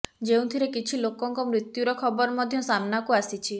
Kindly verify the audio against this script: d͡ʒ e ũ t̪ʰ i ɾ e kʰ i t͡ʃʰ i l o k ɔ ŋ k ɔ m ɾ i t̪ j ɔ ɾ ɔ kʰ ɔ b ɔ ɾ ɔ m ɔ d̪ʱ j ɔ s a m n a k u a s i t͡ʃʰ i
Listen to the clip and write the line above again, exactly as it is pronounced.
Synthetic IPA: d͡ʒ e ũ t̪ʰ i ɾ e k i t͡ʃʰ i l o k ɔ ŋ k ɔ m ɾ i t̪ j u ɾ ɔ kʰ ɔ b ɔ ɾ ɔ m ɔ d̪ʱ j ɔ s a m n a k u a s i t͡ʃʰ i